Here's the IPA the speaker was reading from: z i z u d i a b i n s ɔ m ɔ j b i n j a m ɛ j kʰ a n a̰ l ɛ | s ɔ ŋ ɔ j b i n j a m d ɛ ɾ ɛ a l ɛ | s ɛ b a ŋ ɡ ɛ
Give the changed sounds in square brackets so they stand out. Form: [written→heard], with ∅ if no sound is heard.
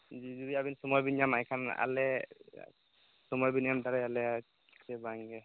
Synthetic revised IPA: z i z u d i a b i n s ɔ m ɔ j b i n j a m [ɛ→a] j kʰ a n a̰ l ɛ | s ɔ [ŋ→m] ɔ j b i n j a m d [ɛ→a] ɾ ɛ a l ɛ | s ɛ b a ŋ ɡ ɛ